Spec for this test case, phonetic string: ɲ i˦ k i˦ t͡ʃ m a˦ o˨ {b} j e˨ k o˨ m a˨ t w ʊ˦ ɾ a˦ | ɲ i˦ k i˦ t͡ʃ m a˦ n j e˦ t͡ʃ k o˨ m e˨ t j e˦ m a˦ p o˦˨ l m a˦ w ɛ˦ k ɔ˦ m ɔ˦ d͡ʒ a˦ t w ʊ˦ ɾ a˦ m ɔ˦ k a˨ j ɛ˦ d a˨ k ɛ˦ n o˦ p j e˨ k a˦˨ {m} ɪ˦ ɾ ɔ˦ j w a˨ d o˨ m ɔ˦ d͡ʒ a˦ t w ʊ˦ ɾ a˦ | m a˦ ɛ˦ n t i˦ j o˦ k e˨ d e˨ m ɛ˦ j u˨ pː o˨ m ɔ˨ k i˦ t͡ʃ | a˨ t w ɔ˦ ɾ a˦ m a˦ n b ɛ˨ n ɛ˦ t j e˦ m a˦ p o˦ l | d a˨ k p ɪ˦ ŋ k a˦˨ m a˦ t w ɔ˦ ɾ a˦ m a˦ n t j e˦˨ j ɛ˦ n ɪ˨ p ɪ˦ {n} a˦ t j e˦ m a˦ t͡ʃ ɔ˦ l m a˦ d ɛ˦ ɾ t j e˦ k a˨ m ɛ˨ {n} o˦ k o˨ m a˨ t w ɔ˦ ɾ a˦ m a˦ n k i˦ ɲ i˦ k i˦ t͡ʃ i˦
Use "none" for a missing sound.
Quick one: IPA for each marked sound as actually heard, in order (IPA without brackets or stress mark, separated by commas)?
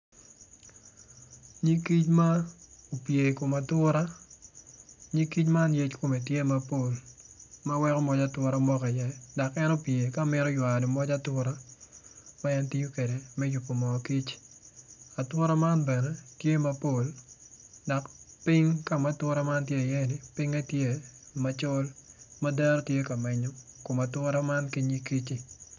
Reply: p, m, ŋ, ɲ